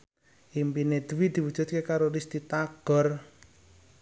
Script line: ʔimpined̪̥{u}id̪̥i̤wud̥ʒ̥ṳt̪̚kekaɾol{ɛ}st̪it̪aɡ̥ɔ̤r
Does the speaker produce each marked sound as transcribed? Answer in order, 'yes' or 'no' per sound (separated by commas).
no, no